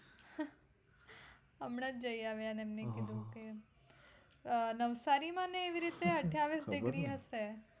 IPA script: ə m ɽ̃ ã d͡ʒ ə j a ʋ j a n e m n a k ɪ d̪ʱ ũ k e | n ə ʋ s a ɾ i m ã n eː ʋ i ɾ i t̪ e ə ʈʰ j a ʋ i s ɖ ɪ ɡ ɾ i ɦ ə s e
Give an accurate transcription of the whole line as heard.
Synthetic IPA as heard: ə m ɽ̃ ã d͡ʒ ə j a ʋ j a n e m n e k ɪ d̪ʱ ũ k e | n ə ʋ s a ɾ i m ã n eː ʋ i ɾ i t̪ e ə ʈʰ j a ʋ i s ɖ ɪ ɡ ɾ i ɦ ə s e